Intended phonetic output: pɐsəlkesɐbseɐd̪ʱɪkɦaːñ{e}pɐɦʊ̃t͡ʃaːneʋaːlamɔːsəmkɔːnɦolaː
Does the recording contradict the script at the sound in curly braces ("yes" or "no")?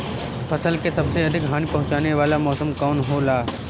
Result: yes